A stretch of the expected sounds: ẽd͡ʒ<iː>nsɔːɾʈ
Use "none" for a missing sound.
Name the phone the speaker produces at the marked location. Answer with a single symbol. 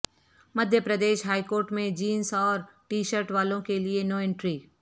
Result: iː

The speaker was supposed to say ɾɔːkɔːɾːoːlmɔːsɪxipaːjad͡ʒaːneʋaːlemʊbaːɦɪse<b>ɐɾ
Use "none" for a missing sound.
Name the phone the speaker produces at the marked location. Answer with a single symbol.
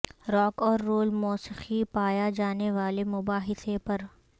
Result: p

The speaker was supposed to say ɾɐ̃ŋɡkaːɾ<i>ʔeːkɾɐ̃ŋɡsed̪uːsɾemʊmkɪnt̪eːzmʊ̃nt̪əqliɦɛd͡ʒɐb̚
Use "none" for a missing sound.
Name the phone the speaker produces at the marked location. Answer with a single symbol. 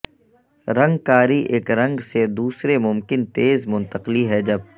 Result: i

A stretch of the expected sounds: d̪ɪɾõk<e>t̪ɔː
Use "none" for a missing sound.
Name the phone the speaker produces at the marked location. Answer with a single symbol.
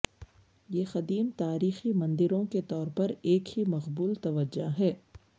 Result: e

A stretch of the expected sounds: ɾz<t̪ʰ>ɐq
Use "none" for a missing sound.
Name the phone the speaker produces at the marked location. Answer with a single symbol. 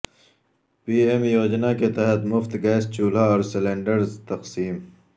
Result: t̪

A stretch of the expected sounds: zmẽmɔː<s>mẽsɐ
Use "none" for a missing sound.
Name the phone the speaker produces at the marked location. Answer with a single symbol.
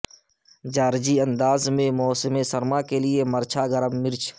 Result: s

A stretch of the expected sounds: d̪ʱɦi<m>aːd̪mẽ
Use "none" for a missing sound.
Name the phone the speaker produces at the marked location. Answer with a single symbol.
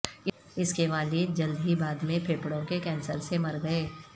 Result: b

